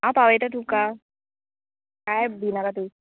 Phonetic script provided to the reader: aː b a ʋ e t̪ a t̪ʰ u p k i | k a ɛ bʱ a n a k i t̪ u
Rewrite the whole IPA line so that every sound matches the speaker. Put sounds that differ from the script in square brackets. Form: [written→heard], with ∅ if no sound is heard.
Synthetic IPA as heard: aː [b→p] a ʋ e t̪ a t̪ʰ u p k [i→a] | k a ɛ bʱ [a→i] n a k [i→a] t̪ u